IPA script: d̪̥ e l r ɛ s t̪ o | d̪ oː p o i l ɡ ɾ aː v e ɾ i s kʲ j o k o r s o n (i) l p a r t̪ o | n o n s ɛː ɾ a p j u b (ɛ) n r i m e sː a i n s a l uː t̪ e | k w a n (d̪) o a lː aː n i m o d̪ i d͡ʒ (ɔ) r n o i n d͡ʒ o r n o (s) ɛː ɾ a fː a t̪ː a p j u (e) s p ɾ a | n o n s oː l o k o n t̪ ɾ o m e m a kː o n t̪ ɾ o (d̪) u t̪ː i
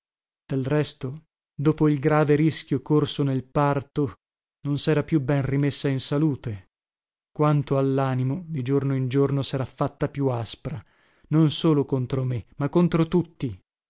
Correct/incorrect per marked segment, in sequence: incorrect: e, correct, incorrect: t̪, incorrect: o, correct, incorrect: a, incorrect: t̪

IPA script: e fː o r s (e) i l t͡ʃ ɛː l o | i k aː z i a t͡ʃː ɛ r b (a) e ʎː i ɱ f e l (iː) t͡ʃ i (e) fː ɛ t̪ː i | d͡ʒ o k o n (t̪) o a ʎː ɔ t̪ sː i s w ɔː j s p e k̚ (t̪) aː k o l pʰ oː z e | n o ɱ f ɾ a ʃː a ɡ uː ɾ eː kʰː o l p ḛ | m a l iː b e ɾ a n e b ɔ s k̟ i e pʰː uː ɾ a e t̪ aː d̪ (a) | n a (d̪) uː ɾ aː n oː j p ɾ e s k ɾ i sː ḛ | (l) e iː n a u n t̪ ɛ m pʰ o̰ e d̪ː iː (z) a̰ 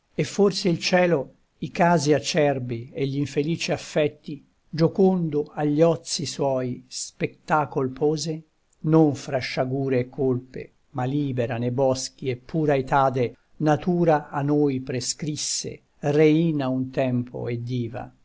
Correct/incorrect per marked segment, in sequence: correct, incorrect: i, correct, incorrect: a, incorrect: d̪, correct, incorrect: e, incorrect: t̪, incorrect: r, incorrect: v

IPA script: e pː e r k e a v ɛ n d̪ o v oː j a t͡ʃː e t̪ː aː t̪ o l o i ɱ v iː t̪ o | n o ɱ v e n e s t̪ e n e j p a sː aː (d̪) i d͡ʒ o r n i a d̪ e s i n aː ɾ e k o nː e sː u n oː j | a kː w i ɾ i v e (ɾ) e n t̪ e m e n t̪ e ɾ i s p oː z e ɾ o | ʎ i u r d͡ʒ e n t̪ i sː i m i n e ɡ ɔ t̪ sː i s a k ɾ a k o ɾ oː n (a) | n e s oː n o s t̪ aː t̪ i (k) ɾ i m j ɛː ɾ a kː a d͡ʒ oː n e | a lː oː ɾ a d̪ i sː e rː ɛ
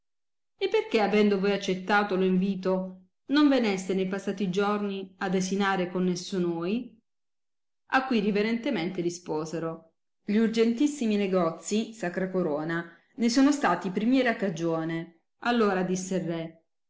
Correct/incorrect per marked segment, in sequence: incorrect: t̪, correct, correct, incorrect: p

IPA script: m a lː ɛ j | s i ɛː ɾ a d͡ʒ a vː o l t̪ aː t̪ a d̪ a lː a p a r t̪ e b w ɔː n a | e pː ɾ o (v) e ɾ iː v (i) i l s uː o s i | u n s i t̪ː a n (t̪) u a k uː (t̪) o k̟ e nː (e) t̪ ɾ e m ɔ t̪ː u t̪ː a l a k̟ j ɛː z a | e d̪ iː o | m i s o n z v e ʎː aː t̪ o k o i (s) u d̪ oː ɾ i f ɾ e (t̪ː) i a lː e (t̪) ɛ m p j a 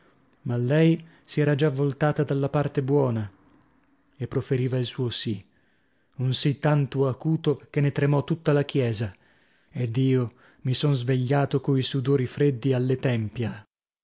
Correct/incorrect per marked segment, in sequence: incorrect: f, incorrect: a, correct, correct, correct, correct, incorrect: d̪ː, correct

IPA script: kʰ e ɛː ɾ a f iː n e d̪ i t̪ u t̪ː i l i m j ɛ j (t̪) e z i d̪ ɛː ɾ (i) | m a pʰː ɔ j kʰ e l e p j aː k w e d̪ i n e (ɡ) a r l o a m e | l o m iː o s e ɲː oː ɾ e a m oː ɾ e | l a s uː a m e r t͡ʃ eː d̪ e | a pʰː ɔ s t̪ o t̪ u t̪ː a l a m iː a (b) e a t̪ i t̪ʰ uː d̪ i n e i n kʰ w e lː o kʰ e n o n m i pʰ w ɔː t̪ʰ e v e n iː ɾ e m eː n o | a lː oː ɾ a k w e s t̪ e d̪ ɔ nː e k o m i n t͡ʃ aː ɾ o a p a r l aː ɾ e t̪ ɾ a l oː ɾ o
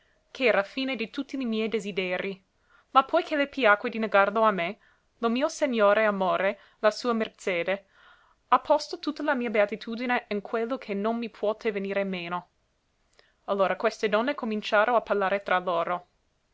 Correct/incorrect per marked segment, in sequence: incorrect: d̪, correct, correct, correct

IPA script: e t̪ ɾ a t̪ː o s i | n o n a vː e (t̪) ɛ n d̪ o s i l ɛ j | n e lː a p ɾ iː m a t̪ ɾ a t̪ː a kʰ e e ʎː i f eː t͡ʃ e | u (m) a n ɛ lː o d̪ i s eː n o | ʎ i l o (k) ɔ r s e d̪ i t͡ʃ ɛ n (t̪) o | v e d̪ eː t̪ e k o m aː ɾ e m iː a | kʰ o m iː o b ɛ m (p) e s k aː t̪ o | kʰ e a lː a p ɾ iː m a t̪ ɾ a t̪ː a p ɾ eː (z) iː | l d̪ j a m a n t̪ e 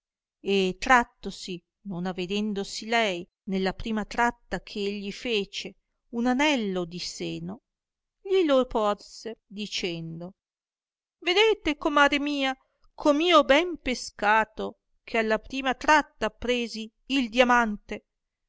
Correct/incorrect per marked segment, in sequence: incorrect: d̪, incorrect: n, incorrect: p, incorrect: d̪, correct, correct

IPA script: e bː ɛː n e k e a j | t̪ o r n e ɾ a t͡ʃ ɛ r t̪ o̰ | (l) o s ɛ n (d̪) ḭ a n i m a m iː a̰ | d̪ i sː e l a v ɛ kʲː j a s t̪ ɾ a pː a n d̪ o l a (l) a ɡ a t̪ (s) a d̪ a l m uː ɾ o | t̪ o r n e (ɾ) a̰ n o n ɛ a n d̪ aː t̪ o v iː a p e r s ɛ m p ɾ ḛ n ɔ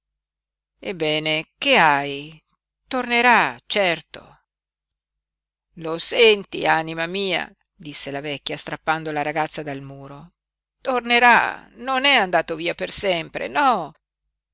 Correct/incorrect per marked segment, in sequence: correct, incorrect: t̪, incorrect: ɾ, incorrect: sː, correct

